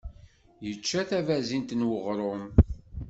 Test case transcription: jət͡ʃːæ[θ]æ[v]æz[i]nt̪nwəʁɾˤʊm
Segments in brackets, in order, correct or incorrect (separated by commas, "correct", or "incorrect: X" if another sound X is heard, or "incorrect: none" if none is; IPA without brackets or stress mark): correct, correct, correct